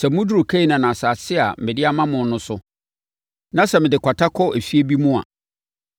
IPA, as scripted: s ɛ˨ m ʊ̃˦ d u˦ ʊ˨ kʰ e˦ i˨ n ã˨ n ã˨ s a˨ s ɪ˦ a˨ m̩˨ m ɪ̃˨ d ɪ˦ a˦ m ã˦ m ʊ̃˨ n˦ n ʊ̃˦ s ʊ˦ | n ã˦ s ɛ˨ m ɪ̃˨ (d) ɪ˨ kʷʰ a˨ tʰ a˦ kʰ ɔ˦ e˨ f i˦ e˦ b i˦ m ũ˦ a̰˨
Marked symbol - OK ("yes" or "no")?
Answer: yes